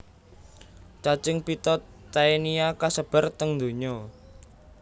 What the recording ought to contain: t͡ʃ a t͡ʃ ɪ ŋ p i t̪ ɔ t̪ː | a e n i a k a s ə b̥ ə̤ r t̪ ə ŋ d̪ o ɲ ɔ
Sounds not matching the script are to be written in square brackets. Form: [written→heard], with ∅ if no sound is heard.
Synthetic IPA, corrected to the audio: t͡ʃ a t͡ʃ ɪ ŋ p i t̪ ɔ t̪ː | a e n i a k a s ə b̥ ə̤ r t̪ ə ŋ d̪ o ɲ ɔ